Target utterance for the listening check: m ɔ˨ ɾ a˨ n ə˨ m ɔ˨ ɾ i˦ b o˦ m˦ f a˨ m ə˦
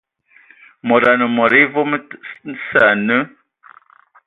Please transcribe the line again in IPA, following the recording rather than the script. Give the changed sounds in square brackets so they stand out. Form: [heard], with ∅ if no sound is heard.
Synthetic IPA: m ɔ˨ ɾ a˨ n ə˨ m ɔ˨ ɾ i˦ [v] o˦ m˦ [s] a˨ [n] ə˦